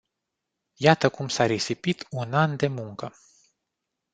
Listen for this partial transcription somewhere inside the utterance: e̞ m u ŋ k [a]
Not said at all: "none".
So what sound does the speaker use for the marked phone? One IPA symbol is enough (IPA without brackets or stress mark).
ə